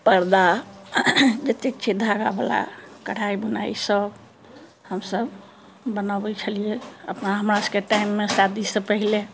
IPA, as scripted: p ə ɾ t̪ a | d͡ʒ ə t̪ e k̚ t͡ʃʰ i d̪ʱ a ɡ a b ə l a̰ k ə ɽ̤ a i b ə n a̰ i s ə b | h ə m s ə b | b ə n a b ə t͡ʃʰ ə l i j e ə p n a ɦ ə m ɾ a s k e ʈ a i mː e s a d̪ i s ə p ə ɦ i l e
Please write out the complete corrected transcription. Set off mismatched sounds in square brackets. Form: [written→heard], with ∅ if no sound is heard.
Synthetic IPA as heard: p ə ɾ [t̪→d̪] a | d͡ʒ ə t̪ e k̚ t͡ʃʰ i d̪ʱ a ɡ a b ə l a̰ k ə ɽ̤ a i b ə n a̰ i s ə b | h ə m s ə b | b ə n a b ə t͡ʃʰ ə l i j e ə p n a ɦ ə m ɾ a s k e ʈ a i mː e s a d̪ i s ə p ə ɦ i l e